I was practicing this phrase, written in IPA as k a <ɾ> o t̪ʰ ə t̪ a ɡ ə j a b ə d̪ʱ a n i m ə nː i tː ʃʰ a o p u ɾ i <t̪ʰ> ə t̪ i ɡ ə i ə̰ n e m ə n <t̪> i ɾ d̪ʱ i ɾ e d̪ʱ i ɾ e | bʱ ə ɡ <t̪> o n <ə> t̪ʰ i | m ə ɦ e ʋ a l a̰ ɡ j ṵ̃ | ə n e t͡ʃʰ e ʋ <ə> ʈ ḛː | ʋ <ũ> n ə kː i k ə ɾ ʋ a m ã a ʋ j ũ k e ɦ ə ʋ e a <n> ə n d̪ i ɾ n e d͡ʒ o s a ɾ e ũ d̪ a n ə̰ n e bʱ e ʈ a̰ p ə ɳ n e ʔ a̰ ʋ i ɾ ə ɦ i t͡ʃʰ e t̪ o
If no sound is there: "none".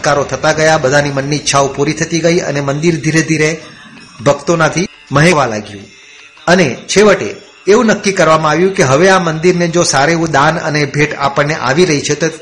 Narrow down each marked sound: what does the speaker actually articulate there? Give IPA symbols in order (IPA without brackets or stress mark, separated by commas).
ɾ, t̪ʰ, d̪, t̪, a, ə, ũ, m